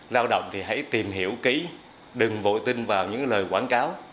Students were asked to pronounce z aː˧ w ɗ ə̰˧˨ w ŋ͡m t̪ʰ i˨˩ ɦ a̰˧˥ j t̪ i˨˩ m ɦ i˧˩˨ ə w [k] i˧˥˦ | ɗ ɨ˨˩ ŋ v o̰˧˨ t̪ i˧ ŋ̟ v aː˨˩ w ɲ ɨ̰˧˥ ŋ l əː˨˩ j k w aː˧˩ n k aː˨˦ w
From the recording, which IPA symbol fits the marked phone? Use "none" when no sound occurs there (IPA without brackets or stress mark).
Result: k